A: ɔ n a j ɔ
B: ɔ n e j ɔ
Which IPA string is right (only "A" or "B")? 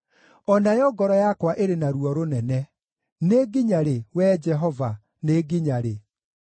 A